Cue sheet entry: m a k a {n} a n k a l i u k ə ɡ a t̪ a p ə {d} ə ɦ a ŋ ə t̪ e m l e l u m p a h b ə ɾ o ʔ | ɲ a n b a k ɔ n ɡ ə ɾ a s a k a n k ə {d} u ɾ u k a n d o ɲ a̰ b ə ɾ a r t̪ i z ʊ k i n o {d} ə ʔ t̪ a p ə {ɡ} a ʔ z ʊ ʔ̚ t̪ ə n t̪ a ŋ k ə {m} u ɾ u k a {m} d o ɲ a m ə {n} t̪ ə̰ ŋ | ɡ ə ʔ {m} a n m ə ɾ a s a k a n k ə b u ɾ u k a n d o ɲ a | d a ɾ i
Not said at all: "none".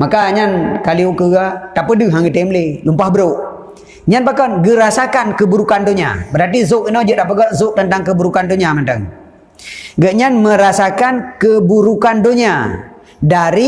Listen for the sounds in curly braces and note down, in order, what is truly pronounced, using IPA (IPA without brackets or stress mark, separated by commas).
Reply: ɲ, d, b, d͡ʒ, ɡ, b, n, n, ɲ